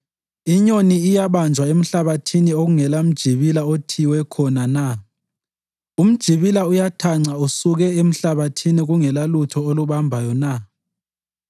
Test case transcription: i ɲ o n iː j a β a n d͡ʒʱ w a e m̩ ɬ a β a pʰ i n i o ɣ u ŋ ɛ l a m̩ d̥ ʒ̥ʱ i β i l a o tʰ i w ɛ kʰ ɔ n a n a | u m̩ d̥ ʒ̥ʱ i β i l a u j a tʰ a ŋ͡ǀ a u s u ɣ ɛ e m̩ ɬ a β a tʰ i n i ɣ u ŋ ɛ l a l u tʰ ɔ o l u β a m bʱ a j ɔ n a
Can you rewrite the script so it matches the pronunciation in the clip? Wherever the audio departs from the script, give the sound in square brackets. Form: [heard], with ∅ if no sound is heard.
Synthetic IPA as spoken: i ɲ o n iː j a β a n d͡ʒʱ w a e m̩ ɬ a β a [tʰ] i n i o ɣ u ŋ ɛ l a m̩ d̥ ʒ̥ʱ i β i l a o tʰ i w ɛ kʰ ɔ n a n a | u m̩ d̥ ʒ̥ʱ i β i l a u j a tʰ a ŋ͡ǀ a u s u ɣ ɛ e m̩ ɬ a β a tʰ i n i ɣ u ŋ ɛ l a l u tʰ ɔ o l u β a m bʱ a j ɔ n a